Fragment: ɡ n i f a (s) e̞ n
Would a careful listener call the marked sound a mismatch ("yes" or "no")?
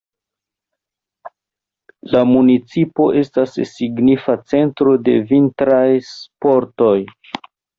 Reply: yes